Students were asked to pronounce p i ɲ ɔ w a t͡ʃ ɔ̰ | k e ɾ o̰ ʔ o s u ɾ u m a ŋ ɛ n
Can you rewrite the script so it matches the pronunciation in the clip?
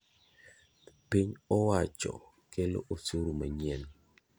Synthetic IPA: p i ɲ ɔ w a t͡ʃ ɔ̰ | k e l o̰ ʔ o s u ɾ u m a ɲ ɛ n